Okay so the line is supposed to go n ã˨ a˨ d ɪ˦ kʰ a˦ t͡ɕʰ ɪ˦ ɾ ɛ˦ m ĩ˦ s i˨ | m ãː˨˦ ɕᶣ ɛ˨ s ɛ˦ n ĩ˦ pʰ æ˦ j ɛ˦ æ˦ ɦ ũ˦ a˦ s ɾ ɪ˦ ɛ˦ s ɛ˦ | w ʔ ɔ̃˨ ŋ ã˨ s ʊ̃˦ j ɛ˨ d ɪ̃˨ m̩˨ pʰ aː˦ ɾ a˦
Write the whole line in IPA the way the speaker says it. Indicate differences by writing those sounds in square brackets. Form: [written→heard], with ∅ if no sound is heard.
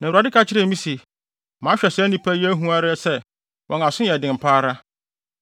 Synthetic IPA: n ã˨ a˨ d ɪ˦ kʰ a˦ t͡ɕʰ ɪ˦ ɾ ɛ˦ m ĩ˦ s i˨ | m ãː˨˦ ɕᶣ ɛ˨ s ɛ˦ n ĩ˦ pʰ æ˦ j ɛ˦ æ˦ ɦ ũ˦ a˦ [s→∅] ɾ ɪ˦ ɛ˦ s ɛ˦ | w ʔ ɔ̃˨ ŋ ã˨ s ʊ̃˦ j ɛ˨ d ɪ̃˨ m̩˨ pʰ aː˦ ɾ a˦

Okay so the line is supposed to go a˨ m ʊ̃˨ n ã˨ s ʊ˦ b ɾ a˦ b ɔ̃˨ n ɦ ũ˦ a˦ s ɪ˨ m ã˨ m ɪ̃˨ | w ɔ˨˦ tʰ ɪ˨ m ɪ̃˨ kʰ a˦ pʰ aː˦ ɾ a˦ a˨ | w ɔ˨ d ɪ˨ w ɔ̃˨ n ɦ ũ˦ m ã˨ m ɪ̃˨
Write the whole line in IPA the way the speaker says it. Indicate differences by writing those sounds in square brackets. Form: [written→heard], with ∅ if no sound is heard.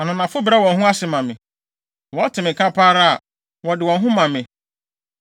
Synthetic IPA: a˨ [m→n] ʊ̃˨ n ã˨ [s→f] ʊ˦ b ɾ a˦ [b→w] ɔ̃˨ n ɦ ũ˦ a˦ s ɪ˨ m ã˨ m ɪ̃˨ | w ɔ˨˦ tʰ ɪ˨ m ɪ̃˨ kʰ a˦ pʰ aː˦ ɾ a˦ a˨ | w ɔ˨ d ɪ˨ w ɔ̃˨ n ɦ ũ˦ m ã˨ m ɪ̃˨

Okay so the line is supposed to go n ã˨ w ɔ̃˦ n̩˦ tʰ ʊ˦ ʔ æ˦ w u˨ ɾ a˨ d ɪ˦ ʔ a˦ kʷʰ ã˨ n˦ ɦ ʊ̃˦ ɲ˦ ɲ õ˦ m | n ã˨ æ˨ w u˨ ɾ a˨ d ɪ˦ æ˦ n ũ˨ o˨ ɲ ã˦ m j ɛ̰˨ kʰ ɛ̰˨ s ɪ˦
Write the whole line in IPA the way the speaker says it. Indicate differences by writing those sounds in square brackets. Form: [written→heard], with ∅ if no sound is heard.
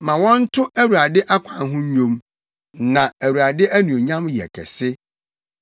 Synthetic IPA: [n→m] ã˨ w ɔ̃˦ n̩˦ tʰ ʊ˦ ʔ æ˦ w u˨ ɾ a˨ d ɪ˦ ʔ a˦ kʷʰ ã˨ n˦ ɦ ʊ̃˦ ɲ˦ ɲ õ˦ m | n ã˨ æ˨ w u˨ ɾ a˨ d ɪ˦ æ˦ n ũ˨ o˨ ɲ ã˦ m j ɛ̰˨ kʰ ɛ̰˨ s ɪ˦

